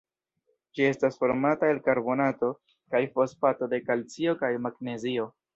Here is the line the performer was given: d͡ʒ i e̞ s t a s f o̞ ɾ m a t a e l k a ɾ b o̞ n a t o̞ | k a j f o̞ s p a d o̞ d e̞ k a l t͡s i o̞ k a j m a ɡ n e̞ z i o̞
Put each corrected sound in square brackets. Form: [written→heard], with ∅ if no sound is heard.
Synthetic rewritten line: d͡ʒ i e̞ s t a s f o̞ ɾ m a t a e l k a ɾ b o̞ n a t o̞ | k a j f o̞ s p a [d→t] o̞ d e̞ k a l t͡s i o̞ k a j m a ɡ n e̞ z i o̞